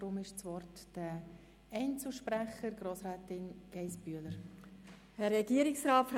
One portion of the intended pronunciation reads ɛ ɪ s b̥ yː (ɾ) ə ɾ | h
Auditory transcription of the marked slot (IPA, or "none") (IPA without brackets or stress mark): l